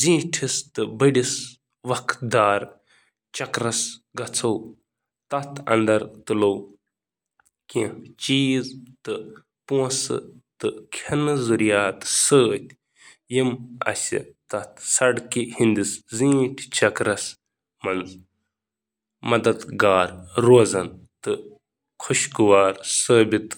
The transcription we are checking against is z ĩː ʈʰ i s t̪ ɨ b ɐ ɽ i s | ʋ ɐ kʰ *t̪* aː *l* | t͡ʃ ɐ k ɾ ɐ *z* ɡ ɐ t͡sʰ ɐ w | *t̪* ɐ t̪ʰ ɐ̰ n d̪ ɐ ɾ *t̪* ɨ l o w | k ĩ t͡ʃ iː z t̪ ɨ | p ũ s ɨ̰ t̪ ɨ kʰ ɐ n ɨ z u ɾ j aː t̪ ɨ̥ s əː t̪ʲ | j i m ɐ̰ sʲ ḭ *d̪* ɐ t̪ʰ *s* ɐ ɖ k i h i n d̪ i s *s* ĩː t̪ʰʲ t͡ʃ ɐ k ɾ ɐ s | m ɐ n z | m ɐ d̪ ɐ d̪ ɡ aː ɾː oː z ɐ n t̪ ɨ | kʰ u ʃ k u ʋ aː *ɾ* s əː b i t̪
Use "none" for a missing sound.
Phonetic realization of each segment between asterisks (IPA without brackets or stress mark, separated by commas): d̪, ɾ, s, t̪, t̪, t̪, s, z, ɾ